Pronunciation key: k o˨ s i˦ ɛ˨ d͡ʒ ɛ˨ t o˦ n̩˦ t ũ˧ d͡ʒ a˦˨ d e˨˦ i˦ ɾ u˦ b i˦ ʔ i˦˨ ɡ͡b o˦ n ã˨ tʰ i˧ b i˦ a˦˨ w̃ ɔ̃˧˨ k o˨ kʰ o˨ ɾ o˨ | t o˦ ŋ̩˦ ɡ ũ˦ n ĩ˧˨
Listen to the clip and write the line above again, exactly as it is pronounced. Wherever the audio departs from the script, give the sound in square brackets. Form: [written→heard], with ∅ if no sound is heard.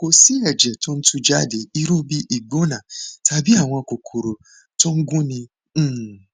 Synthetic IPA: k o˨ s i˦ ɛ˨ d͡ʒ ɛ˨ t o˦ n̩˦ t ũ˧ d͡ʒ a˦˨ d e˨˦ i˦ ɾ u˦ b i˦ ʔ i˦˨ ɡ͡b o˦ n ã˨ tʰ [i˧→a˧] b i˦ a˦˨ w̃ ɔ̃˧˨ k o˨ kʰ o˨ ɾ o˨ | t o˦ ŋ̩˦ ɡ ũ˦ n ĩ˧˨

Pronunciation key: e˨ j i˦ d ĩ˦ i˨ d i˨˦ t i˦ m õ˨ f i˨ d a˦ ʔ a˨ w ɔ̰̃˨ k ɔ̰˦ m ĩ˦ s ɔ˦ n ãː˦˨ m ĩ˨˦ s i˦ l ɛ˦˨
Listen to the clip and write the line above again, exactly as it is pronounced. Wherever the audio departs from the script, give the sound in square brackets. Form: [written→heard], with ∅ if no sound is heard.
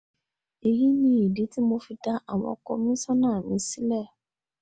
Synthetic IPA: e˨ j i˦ [d→n] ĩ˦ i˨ d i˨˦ t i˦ m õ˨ f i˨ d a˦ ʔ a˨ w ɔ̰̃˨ k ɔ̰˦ m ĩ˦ s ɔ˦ n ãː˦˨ m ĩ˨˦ s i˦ l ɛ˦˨

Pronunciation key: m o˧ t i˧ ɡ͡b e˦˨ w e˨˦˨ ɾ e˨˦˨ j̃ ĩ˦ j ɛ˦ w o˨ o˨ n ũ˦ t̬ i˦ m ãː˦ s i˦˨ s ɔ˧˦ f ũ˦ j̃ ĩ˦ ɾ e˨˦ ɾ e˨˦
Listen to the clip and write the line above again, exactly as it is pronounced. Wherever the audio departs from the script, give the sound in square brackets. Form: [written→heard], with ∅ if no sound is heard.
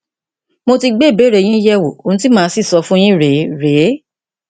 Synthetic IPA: m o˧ t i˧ ɡ͡b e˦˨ [w→b] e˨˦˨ ɾ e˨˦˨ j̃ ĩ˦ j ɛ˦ w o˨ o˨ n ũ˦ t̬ i˦ m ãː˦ s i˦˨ s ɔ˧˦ f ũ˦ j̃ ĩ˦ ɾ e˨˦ ɾ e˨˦

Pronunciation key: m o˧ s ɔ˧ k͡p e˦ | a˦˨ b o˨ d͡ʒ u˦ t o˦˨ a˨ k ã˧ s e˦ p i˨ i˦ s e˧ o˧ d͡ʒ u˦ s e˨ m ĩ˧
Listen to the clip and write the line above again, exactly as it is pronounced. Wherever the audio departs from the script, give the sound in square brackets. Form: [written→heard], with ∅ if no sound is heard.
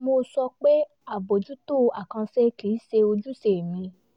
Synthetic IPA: m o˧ s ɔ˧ k͡p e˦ | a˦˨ b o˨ d͡ʒ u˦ t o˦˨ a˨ k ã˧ s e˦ [p→k] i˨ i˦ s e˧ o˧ d͡ʒ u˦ s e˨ m ĩ˧

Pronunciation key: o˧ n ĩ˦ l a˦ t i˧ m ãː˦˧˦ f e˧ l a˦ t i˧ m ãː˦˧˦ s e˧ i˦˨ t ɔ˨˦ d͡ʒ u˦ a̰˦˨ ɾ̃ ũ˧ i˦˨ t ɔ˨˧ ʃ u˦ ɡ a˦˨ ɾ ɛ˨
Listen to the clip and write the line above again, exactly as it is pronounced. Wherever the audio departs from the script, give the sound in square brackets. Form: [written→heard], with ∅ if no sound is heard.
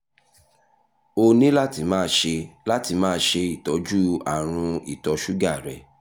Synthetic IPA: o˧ n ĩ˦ l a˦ t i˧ m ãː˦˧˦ [f→ʃ] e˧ l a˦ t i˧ m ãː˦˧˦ [s→ʃ] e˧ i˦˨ t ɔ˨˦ d͡ʒ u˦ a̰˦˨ ɾ̃ ũ˧ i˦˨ t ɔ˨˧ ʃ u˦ ɡ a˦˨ ɾ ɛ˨

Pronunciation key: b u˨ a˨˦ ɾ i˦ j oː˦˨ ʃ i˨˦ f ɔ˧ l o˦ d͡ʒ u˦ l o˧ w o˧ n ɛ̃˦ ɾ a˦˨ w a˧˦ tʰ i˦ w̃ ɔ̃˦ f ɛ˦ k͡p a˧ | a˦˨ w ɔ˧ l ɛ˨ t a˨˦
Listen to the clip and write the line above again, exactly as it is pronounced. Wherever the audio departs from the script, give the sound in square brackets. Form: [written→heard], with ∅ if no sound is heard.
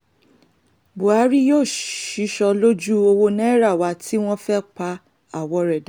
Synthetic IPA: b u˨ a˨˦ ɾ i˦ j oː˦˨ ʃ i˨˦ [f→ʃ] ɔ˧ l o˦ d͡ʒ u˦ [l→∅] o˧ w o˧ n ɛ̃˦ ɾ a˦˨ w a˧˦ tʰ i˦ w̃ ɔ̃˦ f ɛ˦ k͡p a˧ | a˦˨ w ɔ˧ [l→ɾ] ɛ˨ [t→d] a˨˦

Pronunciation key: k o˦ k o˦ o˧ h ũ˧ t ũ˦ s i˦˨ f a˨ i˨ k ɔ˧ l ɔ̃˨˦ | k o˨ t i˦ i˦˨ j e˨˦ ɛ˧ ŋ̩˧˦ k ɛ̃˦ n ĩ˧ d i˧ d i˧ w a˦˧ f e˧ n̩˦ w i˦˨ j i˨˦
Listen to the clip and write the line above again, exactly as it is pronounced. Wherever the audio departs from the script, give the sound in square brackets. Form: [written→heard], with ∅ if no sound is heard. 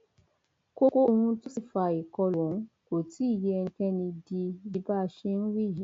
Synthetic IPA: k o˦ k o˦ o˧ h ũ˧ t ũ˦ s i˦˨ f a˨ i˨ k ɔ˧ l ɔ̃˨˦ | k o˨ t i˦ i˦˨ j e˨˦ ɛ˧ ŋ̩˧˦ k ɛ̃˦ n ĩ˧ d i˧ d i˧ [w→b] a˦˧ [f→ʃ] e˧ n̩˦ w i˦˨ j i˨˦

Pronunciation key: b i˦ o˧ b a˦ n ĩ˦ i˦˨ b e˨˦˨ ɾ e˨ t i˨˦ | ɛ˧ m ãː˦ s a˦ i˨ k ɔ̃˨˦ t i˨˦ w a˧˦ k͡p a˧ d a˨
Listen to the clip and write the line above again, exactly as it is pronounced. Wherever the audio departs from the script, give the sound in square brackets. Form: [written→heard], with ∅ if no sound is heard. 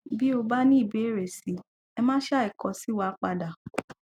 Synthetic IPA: b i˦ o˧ b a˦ n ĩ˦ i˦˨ b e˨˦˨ ɾ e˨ [t→s] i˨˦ | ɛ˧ m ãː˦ [s→ʃ] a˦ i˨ k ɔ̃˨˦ [t→s] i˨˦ w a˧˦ k͡p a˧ d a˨

